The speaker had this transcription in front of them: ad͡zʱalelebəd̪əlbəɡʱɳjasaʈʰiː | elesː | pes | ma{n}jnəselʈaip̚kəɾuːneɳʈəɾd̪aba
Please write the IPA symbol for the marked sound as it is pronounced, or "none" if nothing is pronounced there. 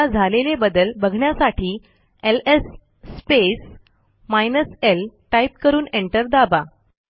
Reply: none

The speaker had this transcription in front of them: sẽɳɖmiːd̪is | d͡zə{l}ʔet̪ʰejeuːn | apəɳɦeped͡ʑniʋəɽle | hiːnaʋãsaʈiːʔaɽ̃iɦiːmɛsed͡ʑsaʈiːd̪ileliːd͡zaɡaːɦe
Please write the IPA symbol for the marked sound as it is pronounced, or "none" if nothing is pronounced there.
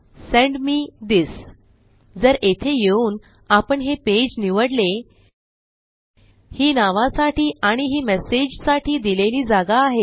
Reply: ɾ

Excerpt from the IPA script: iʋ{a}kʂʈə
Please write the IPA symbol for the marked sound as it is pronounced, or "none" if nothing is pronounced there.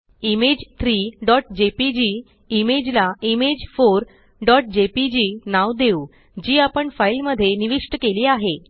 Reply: i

